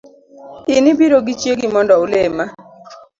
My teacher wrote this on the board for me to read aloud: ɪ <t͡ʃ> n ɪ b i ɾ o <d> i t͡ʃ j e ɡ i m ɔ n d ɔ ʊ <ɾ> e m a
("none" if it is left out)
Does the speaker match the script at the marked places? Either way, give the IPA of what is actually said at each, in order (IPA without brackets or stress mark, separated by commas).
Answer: none, ɡ, l